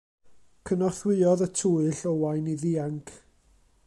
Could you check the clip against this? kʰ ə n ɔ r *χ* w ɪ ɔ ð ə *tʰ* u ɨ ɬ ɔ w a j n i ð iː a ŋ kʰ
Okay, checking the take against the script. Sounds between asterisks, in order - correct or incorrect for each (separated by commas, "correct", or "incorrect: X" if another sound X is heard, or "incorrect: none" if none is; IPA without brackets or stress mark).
incorrect: θ, correct